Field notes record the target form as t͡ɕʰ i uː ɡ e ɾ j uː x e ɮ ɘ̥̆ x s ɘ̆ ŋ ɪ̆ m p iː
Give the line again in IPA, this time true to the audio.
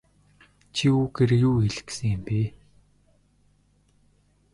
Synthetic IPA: t͡ɕʰ i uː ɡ e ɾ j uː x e ɮ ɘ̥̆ k s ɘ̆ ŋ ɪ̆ m p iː